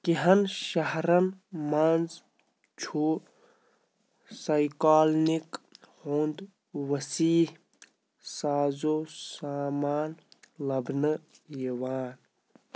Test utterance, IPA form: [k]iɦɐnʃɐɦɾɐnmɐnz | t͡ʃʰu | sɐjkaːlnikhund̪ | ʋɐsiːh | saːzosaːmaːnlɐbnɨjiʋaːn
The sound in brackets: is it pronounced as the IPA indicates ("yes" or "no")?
yes